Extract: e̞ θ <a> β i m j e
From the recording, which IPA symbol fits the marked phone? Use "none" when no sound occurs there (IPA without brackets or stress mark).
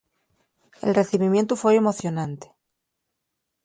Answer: i